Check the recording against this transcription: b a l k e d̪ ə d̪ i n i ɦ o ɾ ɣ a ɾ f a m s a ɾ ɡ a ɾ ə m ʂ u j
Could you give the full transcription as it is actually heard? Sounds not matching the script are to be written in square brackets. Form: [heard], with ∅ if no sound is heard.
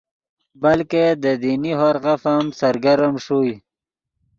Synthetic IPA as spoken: b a l k e d̪ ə d̪ i n i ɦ o ɾ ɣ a [∅] f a m s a ɾ ɡ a ɾ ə m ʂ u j